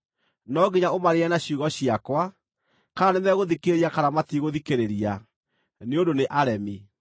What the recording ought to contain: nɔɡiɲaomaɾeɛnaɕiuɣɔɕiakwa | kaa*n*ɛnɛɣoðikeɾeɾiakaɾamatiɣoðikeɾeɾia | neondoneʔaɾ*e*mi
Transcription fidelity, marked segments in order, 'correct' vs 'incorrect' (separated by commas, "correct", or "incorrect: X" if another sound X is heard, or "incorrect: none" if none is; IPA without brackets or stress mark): correct, incorrect: ɛ